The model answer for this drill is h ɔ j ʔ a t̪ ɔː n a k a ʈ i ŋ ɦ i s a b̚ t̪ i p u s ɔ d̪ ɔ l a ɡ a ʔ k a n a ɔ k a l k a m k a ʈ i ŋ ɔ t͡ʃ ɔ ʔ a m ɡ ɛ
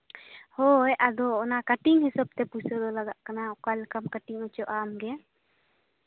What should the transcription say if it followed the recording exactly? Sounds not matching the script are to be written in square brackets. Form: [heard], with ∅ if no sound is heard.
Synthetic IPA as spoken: h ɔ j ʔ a [d̪] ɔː n a k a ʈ i ŋ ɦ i s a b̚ t̪ [ɛ] p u s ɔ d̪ ɔ l a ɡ a ʔ k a n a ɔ k a l k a m k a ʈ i ŋ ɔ t͡ʃ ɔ ʔ a m ɡ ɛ